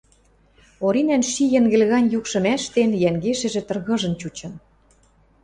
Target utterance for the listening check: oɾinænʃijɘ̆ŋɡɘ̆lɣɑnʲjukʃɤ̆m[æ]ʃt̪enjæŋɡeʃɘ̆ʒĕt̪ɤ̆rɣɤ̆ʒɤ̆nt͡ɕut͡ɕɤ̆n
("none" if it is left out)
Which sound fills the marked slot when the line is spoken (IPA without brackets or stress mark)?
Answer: æ